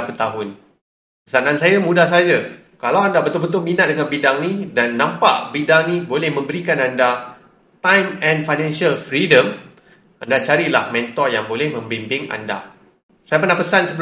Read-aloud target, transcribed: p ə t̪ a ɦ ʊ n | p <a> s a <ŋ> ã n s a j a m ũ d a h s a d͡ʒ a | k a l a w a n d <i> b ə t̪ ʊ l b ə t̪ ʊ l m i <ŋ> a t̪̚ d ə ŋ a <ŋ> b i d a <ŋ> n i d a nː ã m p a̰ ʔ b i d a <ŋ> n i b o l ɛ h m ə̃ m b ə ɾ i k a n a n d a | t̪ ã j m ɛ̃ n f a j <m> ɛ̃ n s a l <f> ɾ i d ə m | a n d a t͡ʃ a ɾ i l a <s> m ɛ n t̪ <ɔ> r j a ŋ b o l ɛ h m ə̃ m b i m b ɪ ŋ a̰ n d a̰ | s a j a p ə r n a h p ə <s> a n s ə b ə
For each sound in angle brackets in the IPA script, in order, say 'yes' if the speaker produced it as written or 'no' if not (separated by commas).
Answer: no, no, no, no, no, yes, yes, no, yes, no, yes, yes